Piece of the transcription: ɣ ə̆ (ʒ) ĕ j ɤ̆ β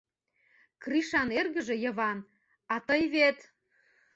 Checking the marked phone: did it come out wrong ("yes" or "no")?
no